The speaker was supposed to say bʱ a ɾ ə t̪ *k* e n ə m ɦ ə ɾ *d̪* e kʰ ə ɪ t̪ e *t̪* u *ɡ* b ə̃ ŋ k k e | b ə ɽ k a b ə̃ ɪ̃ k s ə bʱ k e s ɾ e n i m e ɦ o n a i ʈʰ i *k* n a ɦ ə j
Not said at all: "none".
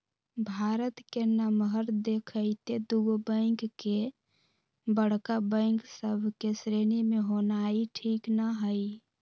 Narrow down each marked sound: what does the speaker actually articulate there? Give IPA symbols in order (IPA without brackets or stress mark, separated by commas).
k, d̪, d̪, ɡ, k